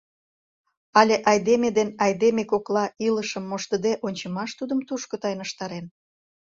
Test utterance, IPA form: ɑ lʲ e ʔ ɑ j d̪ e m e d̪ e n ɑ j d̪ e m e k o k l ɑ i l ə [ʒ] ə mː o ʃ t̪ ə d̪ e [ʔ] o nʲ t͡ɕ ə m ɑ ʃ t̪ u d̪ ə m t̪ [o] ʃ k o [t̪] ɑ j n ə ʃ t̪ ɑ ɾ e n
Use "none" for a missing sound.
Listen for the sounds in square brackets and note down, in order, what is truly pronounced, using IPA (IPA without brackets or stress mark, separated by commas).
ʃ, ʔ, u, t̪